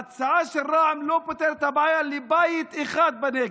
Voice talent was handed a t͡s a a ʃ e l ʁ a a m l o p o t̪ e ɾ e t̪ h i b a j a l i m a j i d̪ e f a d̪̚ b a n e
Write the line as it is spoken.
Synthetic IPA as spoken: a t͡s a a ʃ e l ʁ a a m l o p o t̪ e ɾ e t̪ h a b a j a l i b a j i t̪ e χ a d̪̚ b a n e